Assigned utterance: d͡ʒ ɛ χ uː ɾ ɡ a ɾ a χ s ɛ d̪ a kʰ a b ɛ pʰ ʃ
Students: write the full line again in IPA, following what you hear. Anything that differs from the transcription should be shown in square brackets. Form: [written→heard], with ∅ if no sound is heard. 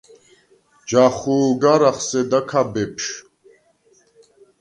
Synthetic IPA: d͡ʒ [ɛ→a] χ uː [ɾ→∅] ɡ a ɾ a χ s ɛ d̪ a kʰ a b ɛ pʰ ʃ

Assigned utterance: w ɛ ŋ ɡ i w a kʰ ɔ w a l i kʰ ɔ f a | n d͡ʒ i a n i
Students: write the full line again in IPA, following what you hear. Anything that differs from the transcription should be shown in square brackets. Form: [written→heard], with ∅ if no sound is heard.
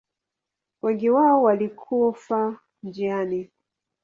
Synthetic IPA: w ɛ ŋ ɡ i w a [kʰ→∅] ɔ w a l i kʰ [ɔ→u] f a | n d͡ʒ i a n i

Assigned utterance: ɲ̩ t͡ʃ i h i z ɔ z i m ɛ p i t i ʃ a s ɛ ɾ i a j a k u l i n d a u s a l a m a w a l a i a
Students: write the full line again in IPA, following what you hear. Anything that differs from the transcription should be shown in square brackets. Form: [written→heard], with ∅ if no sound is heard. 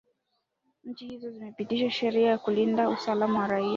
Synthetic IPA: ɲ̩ t͡ʃ i h i z ɔ z i m ɛ p i t i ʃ a [s→ʃ] ɛ ɾ i a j a k u l i n d a u s a l a m a w a [l→ɾ] a i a

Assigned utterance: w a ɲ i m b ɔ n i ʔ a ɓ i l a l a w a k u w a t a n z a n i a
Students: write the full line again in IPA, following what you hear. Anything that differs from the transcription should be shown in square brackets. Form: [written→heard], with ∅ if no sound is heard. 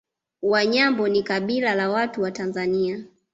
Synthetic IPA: w a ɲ [i→a] m b ɔ n i [ʔ→k] a ɓ i l a l a w a [k→t] u w a t a n z a n i a

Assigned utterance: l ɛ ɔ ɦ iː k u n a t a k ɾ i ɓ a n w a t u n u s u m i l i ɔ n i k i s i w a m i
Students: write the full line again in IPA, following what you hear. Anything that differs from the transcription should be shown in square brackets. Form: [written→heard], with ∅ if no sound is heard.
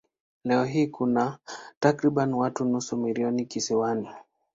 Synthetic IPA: l ɛ ɔ ɦ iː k u n a t a k ɾ i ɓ a n w a t u n u s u m i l i ɔ n i k i s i w a [m→n] i

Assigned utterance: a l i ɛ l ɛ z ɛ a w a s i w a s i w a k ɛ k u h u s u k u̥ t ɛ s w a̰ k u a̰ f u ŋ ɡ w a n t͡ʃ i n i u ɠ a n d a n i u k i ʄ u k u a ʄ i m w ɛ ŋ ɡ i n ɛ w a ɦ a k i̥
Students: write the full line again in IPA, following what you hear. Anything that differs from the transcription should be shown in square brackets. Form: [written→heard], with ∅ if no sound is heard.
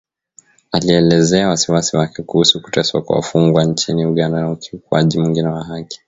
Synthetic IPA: a l i ɛ l ɛ z ɛ a w a s i w a s i w a k ɛ k u h u s u k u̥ t ɛ s w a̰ k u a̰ f u ŋ ɡ w a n t͡ʃ i n i u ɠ a n d a n [i→a] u k i [ʄ→∅] u k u a ʄ i m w [ɛ→i] ŋ ɡ i n ɛ w a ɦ a k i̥

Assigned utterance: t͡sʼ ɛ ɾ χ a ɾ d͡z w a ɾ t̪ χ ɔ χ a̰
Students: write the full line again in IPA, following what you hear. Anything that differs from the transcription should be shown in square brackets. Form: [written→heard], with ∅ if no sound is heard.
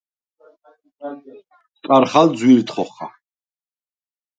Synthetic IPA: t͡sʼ [ɛ→a] ɾ χ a [ɾ→l] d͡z w [a→i] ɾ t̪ χ ɔ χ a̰

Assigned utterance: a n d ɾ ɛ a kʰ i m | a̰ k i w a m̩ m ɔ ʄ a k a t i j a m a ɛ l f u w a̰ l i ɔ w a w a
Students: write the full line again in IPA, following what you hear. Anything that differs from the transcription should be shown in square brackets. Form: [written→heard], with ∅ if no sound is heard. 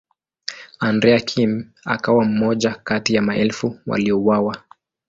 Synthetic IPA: a n d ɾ ɛ a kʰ i m | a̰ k [i→a] w a m̩ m ɔ ʄ a k a t i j a m a ɛ l f u w a̰ l i ɔ w a w a

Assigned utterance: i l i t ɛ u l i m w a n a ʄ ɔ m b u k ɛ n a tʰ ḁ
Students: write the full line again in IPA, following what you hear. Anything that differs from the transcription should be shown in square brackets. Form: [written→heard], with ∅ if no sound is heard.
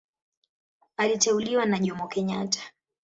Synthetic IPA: [i→a] l i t ɛ u l i [m→∅] w a n a ʄ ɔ m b [u→ɔ] k ɛ [n→ɲ] a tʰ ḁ

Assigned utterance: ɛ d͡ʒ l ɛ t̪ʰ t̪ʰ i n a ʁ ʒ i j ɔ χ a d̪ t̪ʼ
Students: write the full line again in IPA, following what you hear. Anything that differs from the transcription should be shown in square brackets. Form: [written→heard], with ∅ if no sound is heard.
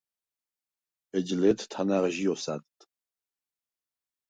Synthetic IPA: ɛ d͡ʒ l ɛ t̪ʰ t̪ʰ [i→a] n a ʁ ʒ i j ɔ [χ→s] a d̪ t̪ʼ

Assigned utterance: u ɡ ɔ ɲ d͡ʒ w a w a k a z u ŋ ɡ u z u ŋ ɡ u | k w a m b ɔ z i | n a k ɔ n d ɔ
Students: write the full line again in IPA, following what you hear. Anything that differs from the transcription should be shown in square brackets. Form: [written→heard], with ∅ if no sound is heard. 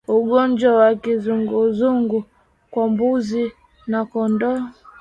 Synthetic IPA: u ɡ ɔ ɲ d͡ʒ w a w a k [a→i] z u ŋ ɡ u z u ŋ ɡ u | k w a m b [ɔ→u] z i | n a k ɔ n d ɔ

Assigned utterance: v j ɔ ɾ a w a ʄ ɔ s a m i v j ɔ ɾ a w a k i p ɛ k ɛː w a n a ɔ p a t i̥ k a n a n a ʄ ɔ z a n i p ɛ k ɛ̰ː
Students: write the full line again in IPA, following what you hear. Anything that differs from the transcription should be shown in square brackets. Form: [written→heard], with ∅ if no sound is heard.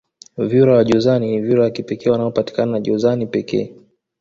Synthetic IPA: v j [ɔ→u] ɾ a w a ʄ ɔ [s→z] a [m→n] i v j [ɔ→u] ɾ a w a k i p ɛ k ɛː w a n a ɔ p a t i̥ k a n a n a ʄ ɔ z a n i p ɛ k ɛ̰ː

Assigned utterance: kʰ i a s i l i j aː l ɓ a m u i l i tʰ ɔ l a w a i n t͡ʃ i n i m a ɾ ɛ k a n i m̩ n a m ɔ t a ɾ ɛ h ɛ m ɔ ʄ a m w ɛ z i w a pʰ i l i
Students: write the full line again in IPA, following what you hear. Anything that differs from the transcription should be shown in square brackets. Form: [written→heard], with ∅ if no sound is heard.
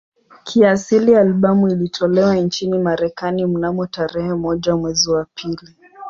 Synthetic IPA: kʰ i a s i l i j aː l ɓ a m u i l i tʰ ɔ l [a→ɛ] w a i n t͡ʃ i n i m a ɾ ɛ k a n i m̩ n a m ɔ t a ɾ ɛ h ɛ m ɔ ʄ a m w ɛ z i w a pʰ i l i

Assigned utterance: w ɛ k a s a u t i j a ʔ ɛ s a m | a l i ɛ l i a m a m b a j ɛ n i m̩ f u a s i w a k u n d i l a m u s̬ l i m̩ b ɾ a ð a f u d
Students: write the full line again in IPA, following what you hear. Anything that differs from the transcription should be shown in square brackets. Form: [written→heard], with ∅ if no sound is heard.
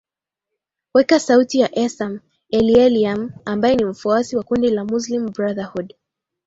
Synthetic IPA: w ɛ k a s a u t i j a ʔ ɛ s a m | [a→ɛ] l i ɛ l i a m a m b a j ɛ n i m̩ f u a s i w a k u n d i l a m u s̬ l i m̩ b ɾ a ð a [f→h] u d

